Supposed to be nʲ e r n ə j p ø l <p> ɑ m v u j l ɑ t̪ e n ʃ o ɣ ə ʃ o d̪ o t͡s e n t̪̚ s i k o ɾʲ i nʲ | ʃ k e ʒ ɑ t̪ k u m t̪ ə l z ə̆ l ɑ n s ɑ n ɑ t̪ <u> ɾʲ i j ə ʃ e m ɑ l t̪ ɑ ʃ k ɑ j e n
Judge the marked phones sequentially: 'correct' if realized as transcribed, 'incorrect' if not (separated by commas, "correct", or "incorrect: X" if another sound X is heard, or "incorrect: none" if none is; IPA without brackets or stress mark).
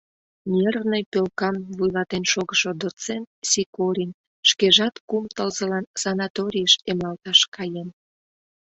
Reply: incorrect: k, incorrect: o